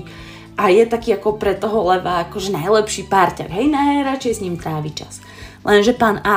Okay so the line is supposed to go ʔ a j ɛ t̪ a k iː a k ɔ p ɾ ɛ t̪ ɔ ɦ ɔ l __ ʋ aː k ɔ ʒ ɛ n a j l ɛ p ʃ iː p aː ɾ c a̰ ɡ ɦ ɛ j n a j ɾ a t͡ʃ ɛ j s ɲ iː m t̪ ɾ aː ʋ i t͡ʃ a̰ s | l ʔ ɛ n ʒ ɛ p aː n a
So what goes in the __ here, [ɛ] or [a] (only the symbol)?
ɛ